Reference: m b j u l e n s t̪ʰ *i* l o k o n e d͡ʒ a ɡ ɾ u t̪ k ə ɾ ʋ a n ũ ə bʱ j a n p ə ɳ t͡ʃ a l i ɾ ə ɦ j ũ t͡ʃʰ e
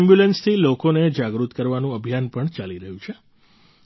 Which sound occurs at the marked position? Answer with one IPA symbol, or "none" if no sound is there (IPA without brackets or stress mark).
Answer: i